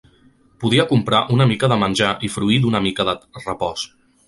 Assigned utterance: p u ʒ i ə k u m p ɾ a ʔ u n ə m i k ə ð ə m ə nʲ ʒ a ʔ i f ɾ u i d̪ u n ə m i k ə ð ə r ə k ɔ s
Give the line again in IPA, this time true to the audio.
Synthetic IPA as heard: p u ð i ə k u m p ɾ a ʔ u n ə m i k ə ð ə m ə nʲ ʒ a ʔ i f ɾ u i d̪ u n ə m i k ə ð ə r ə p ɔ s

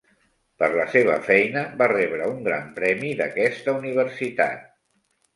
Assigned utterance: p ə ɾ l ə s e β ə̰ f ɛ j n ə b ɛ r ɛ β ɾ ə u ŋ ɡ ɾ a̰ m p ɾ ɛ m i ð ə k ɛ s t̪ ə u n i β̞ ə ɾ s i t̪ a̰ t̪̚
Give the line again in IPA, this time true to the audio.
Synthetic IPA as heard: p ə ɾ l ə s e β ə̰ f ɛ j n ə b a r ɛ β ɾ ə u ŋ ɡ ɾ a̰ m p ɾ ɛ m i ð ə k ɛ s t̪ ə u n i β̞ ə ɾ s i t̪ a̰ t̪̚

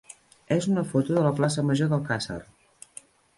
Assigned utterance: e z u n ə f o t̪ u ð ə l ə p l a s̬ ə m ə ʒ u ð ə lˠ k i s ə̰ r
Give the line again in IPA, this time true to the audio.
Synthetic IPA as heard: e z u n ə f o t̪ u ð ə l ə p l a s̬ ə m ə ʒ o ð ə lˠ k a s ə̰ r

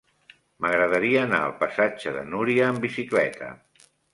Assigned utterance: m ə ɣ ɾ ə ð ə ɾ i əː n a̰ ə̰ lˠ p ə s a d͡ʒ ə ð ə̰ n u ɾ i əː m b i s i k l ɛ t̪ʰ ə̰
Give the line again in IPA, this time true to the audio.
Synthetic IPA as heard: m ə ɣ ɾ ə ð ə ɾ i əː n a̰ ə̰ lˠ p ə s a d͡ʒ ə ð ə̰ n u ɾ i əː m b i s i k l ɛ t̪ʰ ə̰

